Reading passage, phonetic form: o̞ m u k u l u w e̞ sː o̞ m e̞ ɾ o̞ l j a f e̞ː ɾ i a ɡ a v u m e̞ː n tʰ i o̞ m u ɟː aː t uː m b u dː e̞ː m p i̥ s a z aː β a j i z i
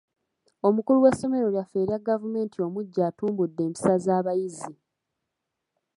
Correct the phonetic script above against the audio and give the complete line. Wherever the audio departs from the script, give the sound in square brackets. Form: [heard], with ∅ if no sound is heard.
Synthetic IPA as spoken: o̞ m u k u l u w e̞ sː o̞ m e̞ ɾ o̞ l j a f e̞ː ɾ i a ɡ a v u m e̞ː n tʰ i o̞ m u ɟː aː t uː m b u dː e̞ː m p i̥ s a z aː β a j i z i